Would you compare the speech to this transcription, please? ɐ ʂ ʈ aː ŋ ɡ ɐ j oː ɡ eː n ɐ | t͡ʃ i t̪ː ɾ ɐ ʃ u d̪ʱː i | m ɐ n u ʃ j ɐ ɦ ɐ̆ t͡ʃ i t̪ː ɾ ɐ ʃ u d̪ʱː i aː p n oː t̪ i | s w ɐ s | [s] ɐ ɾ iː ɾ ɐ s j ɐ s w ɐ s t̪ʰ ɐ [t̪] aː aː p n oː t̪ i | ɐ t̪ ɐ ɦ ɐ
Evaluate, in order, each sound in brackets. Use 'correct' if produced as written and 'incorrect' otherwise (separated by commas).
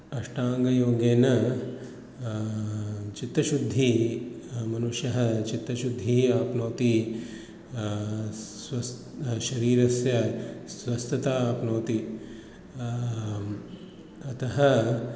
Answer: incorrect, correct